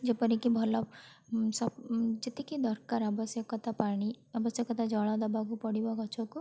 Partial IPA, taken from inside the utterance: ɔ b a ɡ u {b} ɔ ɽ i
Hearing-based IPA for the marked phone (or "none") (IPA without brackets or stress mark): p